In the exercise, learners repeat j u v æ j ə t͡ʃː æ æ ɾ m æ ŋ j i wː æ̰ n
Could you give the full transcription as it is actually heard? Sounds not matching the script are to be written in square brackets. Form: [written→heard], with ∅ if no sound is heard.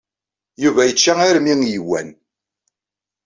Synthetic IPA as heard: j u v æ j ə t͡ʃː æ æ ɾ m [æ→i] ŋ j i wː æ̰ n

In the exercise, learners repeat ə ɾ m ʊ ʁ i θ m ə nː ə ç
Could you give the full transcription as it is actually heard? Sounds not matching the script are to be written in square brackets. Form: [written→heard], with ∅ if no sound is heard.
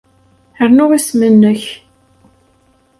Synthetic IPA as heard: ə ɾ [m→n] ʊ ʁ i [θ→s] m ə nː ə ç

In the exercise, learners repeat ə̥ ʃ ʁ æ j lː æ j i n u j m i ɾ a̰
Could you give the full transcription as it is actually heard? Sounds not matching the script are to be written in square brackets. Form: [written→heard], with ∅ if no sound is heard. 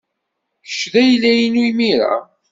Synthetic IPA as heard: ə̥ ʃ [ʁ→ð] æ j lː æ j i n u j m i ɾ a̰

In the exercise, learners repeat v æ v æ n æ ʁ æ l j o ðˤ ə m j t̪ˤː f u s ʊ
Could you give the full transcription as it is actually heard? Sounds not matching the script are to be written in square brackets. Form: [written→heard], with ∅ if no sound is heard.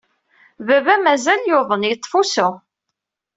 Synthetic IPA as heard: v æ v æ [n→m] æ [ʁ→z] æ l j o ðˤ ə [m→n] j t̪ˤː f u s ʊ

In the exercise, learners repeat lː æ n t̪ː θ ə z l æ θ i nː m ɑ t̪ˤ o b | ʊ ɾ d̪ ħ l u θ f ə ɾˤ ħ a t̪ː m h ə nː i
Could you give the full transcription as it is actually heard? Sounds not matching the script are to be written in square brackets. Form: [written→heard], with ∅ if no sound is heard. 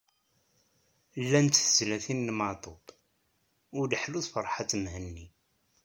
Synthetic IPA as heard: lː æ n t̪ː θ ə z l æ θ i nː m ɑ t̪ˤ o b | ʊ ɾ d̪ ħ l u θ f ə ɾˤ ħ a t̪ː m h ə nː i

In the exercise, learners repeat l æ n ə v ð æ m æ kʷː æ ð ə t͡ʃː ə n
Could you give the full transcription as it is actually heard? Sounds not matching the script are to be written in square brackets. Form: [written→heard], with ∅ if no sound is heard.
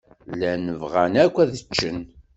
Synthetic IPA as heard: l æ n ə v [ð→ʁ] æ [m→n] æ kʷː æ ð ə t͡ʃː ə n

